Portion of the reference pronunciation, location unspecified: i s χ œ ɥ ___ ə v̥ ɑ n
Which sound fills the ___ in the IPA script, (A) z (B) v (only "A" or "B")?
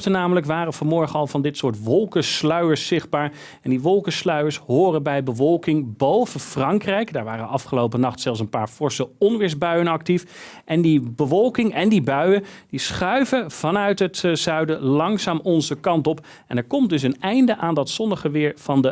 B